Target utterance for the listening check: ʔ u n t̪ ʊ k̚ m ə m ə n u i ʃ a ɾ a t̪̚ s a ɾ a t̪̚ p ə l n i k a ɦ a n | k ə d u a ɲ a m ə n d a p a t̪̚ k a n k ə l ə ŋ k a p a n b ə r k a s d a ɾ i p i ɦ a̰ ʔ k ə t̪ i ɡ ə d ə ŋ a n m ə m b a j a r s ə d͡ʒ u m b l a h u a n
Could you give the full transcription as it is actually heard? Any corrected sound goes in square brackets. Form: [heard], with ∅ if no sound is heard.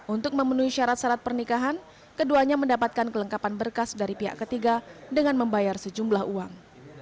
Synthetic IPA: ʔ u n t̪ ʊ k̚ m ə m ə n u i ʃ a ɾ a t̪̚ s a ɾ a t̪̚ p ə [r] n i k a ɦ a n | k ə d u a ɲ a m ə n d a p a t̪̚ k a n k ə l ə ŋ k a p a n b ə r k a s d a ɾ i p i ɦ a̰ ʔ k ə t̪ i ɡ [a] d ə ŋ a n m ə m b a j a r s ə d͡ʒ u m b l a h u a [ŋ]